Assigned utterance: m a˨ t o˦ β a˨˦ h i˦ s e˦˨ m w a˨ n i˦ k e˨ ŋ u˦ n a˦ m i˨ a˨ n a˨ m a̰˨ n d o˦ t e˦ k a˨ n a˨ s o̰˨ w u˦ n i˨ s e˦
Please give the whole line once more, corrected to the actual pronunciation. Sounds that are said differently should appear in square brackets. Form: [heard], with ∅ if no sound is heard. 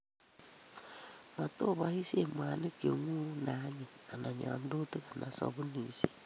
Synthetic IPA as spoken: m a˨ t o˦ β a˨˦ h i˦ s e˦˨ m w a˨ n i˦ k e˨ ŋ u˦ n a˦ [ɲ] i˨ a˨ n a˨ [ɲ] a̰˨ n d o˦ t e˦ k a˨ n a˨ s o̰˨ [β] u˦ n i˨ s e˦